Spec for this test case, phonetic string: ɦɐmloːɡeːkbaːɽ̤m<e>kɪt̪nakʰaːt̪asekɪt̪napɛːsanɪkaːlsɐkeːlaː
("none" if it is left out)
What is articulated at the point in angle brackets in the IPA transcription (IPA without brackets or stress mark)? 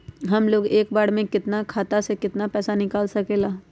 ẽ